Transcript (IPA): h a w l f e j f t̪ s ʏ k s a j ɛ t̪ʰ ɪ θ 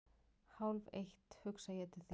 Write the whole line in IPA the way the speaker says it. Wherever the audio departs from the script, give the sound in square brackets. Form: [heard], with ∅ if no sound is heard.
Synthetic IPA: h a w l [v] e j [h] t̪ [h] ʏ k s a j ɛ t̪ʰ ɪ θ

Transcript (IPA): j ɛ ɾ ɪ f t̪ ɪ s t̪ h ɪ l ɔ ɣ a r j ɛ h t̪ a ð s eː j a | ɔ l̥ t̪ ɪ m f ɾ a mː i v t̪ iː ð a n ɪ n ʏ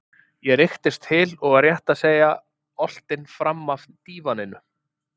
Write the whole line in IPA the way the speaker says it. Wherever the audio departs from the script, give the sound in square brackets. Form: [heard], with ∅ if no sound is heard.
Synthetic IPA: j ɛ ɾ ɪ [x] t̪ ɪ s t̪ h ɪ l ɔ ɣ a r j ɛ h t̪ a ð s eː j a | ɔ l̥ t̪ ɪ [n] f ɾ a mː [a] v t̪ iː [v] a n ɪ n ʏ

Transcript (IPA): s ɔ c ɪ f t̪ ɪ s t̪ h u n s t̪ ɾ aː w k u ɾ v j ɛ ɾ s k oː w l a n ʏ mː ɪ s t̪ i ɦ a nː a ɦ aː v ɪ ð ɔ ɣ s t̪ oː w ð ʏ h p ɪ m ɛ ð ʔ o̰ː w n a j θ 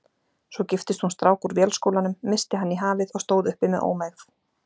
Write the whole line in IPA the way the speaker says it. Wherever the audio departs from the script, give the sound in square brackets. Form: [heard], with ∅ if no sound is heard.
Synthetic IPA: s ɔ c ɪ f t̪ ɪ s t̪ h u n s t̪ ɾ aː w k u ɾ v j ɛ [l] s k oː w l a n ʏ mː ɪ s t̪ [ɪ] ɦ a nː [i] ɦ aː v ɪ ð ɔ ɣ s t̪ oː w ð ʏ h p ɪ m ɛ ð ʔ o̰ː w [m] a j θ

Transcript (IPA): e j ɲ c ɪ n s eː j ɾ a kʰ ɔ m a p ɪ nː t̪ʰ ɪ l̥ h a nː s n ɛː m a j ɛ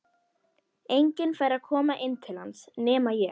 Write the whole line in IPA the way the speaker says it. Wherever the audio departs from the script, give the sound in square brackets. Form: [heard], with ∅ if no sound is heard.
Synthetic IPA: e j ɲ c ɪ n [f] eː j ɾ a kʰ [ɔː] m a [ʔ] ɪ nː t̪ʰ ɪ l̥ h a [n] s n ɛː m a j ɛ

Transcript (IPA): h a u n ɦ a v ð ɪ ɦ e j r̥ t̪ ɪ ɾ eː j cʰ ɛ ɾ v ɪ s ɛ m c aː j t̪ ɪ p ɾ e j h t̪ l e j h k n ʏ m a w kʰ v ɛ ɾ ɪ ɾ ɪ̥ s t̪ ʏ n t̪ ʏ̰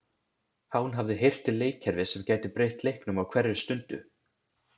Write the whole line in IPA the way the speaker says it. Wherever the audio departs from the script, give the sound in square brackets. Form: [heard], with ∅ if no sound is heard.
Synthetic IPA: h a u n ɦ a v ð ɪ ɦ e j r̥ t̪ ɪ [l] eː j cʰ ɛ ɾ v ɪ s ɛ m c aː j t̪ ɪ p ɾ e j h t̪ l e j h k n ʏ m a w kʰ v ɛ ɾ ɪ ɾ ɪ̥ s t̪ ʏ n t̪ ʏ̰

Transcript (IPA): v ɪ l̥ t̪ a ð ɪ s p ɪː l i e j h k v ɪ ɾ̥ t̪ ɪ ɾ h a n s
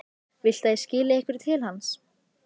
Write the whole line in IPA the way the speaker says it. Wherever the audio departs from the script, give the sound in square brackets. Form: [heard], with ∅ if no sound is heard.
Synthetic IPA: v ɪ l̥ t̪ a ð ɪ s [c] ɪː l [ɪ] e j h k v ɪ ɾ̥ [t̪ʰ] ɪ [l] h a n s

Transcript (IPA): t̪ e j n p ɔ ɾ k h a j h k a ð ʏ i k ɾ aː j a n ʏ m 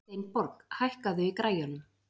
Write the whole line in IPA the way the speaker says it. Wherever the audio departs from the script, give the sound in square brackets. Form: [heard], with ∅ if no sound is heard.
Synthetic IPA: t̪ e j n p ɔ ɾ k h a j h k a ð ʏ i k ɾ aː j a n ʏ m

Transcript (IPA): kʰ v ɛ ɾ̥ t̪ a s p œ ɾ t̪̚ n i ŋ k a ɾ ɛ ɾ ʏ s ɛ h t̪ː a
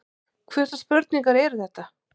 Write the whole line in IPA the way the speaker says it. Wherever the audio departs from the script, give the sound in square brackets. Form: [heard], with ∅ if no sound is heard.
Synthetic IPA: kʰ v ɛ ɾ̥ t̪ a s p œ ɾ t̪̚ n i ŋ k a ɾ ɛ ɾ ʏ [θ] ɛ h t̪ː a

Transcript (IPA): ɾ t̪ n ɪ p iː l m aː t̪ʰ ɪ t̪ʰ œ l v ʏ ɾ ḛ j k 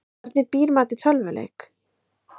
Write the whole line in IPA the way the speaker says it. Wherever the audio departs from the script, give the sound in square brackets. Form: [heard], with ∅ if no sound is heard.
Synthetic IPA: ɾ t̪ n ɪ p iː [ɾ] m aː [t̪] ɪ t̪ʰ œ l v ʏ [l] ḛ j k

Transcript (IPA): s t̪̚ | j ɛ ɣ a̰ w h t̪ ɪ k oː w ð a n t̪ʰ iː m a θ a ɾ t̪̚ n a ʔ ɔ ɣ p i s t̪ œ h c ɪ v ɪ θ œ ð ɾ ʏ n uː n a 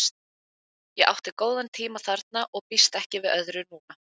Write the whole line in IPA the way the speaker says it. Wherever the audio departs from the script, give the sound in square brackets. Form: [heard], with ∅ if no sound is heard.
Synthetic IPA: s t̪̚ | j ɛ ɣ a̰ w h t̪ ɪ k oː w ð a n t̪ʰ iː m a θ a ɾ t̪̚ n a ʔ ɔ ɣ p i s t̪ [ɛ] h c ɪ v ɪ [ð] œ ð ɾ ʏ n uː n a

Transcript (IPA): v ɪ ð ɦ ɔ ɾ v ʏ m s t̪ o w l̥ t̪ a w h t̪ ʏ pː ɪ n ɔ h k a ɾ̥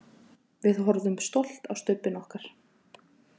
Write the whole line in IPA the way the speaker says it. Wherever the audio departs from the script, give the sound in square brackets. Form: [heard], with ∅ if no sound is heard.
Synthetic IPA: v ɪ ð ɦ ɔ ɾ [ð] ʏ m s t̪ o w l̥ t̪ a w [s] t̪ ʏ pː ɪ n ɔ h k a ɾ̥

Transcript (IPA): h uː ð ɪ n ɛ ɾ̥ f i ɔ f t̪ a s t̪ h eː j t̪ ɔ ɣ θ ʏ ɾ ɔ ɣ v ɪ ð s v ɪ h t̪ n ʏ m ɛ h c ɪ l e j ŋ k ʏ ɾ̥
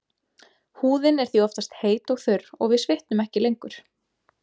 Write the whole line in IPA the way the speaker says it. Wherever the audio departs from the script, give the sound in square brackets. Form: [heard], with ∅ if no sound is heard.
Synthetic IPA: h uː ð ɪ n ɛ ɾ̥ [θ] i ɔ f t̪ a s t̪ h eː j t̪ ɔ ɣ θ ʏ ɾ ɔ ɣ v ɪ ð s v ɪ h t̪ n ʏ m ɛ h c ɪ l e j ŋ k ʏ ɾ̥

